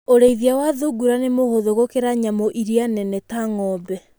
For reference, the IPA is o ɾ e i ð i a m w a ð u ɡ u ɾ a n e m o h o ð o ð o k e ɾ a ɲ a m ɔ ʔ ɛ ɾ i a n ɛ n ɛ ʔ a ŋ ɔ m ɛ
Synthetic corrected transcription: o ɾ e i ð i a w a ð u ɡ u ɾ a n e m o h o ð o ɣ o k e ɾ a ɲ a m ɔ ʔ i ɾ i a n ɛ n ɛ t a ŋ ɔ b ɛ